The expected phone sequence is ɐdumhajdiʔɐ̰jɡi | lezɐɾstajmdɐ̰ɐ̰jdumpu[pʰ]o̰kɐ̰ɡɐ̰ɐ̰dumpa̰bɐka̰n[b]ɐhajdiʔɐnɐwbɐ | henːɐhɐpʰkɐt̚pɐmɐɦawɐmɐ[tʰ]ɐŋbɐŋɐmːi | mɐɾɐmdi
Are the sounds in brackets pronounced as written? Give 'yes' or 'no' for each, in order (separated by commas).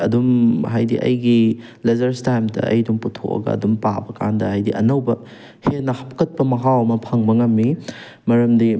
no, no, no